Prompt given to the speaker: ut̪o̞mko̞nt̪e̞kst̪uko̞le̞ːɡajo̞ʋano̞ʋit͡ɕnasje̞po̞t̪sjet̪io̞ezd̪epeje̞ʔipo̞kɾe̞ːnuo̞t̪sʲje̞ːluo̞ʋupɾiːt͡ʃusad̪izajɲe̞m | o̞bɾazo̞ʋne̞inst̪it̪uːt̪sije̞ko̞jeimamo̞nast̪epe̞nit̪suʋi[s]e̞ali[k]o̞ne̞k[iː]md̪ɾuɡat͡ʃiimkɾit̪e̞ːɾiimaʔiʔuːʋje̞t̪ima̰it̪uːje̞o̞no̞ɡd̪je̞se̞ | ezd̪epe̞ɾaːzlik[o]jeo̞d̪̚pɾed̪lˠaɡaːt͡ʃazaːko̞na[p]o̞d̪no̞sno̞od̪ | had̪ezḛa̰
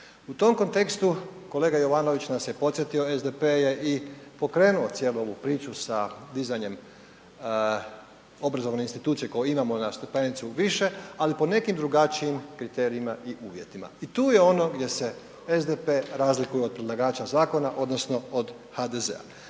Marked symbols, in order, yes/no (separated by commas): no, no, no, no, no